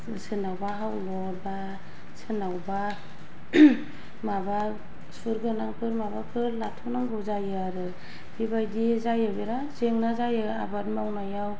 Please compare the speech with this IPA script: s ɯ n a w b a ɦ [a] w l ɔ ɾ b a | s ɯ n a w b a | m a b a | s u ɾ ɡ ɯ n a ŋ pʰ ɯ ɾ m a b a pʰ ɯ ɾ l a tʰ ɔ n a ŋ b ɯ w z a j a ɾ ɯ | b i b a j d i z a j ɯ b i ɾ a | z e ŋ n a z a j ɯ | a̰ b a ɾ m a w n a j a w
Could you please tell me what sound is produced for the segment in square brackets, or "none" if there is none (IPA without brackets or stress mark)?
a